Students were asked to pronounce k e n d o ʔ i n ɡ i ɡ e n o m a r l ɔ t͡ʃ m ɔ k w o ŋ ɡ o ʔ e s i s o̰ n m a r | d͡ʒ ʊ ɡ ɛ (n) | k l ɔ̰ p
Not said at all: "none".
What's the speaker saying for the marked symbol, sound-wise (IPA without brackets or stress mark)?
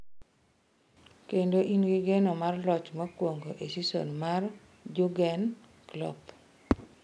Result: n